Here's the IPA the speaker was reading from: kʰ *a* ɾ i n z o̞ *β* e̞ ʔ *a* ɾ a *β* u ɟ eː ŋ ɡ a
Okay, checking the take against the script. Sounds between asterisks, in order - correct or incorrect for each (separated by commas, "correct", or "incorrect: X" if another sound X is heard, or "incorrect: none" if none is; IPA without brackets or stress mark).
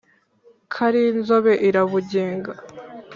correct, correct, incorrect: i, correct